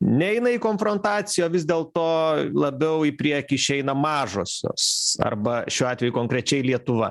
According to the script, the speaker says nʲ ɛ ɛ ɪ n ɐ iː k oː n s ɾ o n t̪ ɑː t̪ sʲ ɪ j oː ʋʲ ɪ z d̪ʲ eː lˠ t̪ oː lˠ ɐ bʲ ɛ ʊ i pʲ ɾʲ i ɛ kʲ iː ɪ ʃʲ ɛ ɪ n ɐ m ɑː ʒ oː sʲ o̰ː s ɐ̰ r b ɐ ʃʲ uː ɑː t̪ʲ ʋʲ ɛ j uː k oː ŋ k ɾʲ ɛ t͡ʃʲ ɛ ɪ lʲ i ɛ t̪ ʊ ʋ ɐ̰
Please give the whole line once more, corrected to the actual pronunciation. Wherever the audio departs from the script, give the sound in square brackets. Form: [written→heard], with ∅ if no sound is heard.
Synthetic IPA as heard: nʲ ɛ ɛ ɪ n ɐ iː k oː n [s→f] ɾ o n t̪ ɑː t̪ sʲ ɪ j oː ʋʲ ɪ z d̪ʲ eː lˠ t̪ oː lˠ ɐ bʲ ɛ ʊ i pʲ ɾʲ i ɛ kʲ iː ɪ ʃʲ ɛ ɪ n ɐ m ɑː ʒ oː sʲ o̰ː s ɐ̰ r b ɐ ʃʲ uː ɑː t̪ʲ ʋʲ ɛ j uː k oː ŋ k ɾʲ ɛ t͡ʃʲ ɛ ɪ lʲ i ɛ t̪ ʊ ʋ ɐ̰